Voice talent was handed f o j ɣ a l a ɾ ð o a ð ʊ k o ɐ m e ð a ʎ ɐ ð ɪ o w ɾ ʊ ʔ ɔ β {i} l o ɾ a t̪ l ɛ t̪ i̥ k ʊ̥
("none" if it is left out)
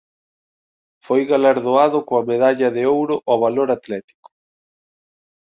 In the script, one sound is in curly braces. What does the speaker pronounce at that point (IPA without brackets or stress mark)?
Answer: a